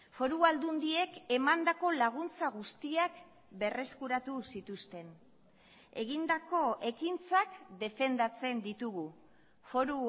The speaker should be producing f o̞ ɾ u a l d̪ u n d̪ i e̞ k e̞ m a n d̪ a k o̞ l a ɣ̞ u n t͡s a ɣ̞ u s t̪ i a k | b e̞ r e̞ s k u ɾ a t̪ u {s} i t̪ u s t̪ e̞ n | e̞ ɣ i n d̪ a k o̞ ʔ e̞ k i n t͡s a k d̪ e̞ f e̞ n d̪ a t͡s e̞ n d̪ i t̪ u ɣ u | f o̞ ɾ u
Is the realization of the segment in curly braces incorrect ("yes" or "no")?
no